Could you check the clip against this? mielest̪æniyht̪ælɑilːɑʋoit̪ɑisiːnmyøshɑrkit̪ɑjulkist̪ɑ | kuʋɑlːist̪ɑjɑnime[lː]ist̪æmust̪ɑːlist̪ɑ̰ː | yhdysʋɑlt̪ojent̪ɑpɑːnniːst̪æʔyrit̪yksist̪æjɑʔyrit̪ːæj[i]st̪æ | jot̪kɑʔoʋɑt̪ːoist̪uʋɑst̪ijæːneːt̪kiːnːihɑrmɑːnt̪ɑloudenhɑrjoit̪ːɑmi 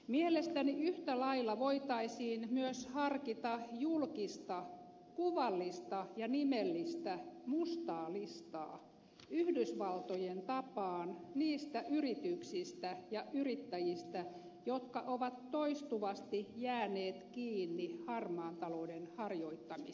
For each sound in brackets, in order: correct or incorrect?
correct, correct

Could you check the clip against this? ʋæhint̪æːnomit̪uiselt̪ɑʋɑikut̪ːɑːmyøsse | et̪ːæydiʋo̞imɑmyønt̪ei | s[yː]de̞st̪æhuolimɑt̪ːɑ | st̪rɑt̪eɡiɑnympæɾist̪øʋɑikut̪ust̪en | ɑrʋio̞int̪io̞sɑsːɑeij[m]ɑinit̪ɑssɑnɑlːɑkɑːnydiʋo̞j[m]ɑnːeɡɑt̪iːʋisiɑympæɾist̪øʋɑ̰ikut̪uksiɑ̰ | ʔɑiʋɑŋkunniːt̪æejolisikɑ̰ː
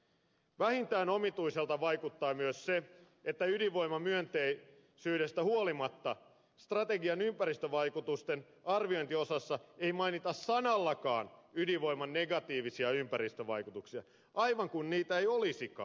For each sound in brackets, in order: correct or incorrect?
correct, correct, correct

